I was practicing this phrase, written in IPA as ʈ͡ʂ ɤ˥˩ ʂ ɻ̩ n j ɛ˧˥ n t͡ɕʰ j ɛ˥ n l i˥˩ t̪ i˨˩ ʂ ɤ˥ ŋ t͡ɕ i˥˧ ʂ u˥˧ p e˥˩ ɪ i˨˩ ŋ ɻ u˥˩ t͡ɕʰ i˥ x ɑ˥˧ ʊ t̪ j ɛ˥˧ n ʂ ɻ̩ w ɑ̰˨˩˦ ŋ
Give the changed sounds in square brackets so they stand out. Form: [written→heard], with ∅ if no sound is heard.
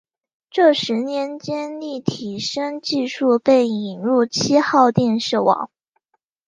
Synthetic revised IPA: ʈ͡ʂ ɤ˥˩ ʂ ɻ̩ n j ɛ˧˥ n [t͡ɕʰ→t͡ɕ] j ɛ˥ n l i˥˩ [t̪→t̪ʰ] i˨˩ ʂ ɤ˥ ŋ t͡ɕ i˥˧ ʂ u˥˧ p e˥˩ ɪ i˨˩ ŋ ɻ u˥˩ t͡ɕʰ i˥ x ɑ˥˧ ʊ t̪ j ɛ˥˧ n ʂ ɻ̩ w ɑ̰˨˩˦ ŋ